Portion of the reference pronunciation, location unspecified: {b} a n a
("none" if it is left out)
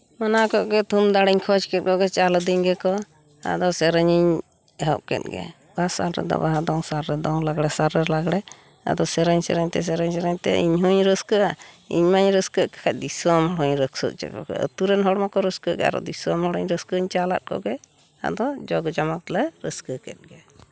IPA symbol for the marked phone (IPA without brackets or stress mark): m